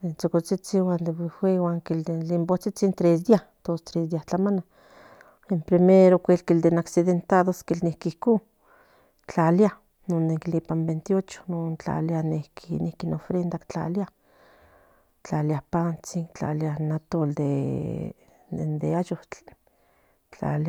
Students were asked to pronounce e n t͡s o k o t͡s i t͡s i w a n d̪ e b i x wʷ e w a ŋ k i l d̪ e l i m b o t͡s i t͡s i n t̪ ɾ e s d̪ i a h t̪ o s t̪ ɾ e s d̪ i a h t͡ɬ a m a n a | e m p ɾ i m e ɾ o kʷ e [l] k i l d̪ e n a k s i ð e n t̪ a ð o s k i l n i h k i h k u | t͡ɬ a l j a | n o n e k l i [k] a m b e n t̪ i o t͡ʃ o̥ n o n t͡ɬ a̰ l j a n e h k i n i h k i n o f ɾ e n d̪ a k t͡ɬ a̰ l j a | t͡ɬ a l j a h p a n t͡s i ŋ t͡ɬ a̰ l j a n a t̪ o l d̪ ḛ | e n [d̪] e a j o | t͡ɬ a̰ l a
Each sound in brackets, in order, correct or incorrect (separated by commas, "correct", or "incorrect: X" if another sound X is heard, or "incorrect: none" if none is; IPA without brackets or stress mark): correct, incorrect: p, correct